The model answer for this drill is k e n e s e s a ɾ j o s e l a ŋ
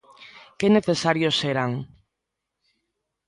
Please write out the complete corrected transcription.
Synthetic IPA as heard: k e n e θ e s a ɾ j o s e ɾ a ŋ